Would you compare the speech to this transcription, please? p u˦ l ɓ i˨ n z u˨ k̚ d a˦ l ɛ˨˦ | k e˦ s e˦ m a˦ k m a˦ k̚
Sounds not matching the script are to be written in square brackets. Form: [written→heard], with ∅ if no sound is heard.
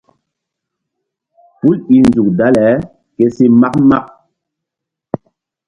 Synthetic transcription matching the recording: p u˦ l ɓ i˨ n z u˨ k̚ d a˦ l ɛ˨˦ | k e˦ s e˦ m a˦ k m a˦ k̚